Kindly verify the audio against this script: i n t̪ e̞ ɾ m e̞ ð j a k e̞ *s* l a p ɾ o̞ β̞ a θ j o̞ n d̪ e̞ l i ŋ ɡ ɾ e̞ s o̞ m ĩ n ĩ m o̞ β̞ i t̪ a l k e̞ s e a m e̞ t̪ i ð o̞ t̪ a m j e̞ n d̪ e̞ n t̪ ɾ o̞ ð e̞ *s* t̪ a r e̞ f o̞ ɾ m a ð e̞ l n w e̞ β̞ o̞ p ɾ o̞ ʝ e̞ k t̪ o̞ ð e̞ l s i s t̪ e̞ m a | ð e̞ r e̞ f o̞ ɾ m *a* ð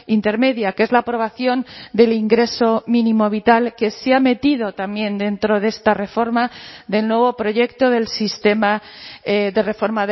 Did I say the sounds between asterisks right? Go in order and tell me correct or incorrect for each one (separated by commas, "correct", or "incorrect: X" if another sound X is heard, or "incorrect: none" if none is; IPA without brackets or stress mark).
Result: incorrect: z, correct, correct